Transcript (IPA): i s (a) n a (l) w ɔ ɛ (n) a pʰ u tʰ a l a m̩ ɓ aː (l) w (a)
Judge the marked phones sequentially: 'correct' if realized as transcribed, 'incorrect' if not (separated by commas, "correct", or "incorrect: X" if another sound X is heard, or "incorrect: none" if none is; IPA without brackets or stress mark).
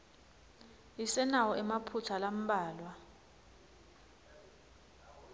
incorrect: ɛ, incorrect: none, incorrect: m, correct, correct